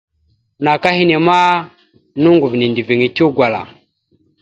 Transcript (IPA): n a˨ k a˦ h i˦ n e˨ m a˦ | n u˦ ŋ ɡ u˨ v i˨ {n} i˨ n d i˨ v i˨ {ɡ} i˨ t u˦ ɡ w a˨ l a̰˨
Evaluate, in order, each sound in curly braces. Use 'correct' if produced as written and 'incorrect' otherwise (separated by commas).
correct, incorrect